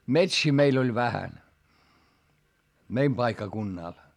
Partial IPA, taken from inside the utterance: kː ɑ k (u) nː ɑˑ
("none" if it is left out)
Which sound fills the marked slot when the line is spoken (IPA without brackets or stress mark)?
u